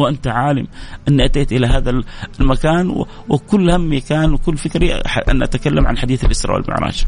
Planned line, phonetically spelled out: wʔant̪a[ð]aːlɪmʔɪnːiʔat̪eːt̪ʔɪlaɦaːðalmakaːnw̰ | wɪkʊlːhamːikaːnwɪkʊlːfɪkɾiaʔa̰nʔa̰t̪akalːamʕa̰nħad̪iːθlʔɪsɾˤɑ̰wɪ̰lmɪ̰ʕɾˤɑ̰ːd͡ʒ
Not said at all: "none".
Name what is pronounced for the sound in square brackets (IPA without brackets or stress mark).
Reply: ʕ